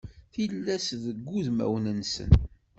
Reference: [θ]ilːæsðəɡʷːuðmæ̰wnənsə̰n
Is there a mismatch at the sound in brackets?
no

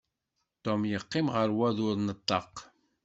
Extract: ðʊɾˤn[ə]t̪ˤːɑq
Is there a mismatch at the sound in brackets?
no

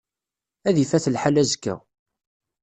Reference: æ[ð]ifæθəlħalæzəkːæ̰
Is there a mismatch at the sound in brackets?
no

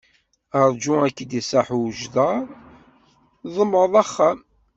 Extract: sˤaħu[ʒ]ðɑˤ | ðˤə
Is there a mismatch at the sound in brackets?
no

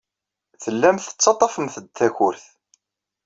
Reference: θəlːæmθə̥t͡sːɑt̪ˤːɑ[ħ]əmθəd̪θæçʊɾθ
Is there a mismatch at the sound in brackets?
yes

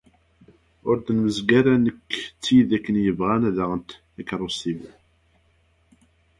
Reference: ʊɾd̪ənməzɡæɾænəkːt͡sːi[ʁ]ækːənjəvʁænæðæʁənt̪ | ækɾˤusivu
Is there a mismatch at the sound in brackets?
yes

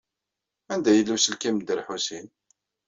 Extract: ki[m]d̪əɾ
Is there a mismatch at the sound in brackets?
no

